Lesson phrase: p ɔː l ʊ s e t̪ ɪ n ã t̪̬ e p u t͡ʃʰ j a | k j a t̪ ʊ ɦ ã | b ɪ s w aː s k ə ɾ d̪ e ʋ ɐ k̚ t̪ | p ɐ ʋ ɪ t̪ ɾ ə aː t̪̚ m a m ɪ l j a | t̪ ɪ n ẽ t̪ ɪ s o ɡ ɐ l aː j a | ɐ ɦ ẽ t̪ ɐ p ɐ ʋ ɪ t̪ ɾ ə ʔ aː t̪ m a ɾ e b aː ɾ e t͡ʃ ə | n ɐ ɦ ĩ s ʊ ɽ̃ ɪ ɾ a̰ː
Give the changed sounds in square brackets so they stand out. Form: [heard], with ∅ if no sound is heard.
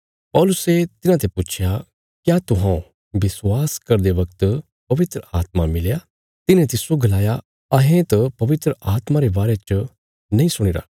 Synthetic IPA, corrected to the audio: p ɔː l ʊ s e t̪ ɪ n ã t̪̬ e p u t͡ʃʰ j a | k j a t̪ ʊ ɦ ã | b ɪ s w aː s k [ɐ] ɾ d̪ e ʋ ɐ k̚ t̪ | p ɐ ʋ ɪ t̪ ɾ ə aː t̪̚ m a m ɪ l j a | t̪ ɪ n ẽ t̪ ɪ s o ɡ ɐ l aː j a | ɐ ɦ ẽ t̪ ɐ p ɐ ʋ ɪ t̪ ɾ ə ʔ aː t̪ m a ɾ e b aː ɾ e t͡ʃ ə | n ɐ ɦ ĩ s ʊ ɽ̃ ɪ ɾ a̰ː